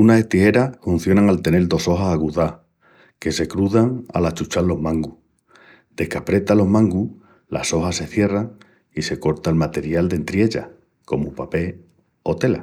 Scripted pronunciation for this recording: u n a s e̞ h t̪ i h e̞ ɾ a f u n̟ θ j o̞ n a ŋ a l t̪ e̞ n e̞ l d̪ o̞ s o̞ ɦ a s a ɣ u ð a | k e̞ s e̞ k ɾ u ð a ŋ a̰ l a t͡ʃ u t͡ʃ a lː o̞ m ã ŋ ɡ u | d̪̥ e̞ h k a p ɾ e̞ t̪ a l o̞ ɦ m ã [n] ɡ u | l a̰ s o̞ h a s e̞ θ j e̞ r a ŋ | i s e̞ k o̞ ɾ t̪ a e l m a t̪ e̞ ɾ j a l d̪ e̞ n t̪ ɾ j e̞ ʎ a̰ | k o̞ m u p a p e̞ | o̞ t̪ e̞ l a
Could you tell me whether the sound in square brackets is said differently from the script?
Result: yes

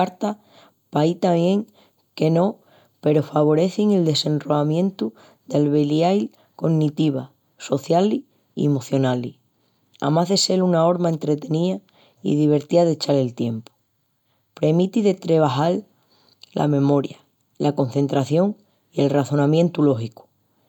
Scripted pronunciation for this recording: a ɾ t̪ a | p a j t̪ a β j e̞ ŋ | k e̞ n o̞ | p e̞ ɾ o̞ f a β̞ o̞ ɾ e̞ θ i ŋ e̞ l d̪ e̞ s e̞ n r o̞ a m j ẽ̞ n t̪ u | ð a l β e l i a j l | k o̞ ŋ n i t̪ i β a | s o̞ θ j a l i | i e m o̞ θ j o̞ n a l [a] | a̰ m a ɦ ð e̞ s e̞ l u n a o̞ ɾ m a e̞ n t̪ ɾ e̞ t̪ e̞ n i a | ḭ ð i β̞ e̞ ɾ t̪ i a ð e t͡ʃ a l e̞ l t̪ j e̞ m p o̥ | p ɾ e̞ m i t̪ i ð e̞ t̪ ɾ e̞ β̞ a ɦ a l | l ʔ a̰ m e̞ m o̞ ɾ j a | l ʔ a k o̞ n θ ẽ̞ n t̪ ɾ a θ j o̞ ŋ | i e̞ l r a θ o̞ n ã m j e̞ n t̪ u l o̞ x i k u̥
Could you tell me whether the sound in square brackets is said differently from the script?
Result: yes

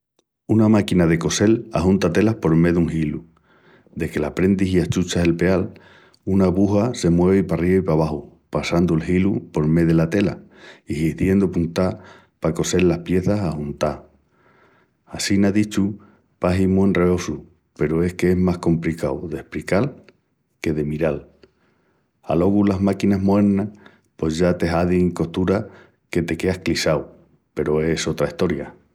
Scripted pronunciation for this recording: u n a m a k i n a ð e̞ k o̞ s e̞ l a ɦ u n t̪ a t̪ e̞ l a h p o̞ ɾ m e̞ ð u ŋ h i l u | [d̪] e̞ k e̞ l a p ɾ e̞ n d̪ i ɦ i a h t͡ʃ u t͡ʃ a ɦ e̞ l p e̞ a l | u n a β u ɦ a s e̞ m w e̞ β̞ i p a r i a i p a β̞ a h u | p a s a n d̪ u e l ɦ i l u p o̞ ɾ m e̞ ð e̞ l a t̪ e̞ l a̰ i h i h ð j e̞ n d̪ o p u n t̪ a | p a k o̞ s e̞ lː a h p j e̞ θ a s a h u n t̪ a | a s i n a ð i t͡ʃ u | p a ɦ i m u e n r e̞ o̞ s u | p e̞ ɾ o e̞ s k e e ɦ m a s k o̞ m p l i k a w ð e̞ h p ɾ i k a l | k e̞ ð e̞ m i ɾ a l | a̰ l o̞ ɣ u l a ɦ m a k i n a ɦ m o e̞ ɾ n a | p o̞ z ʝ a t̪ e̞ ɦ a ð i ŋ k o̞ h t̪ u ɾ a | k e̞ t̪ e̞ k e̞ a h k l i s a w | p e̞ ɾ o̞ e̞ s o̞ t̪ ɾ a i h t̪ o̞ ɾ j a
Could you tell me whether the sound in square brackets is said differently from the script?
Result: no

